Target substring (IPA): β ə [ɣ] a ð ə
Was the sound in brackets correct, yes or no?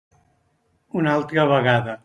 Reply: yes